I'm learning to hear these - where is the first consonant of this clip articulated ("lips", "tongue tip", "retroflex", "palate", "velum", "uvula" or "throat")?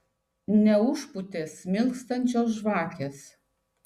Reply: tongue tip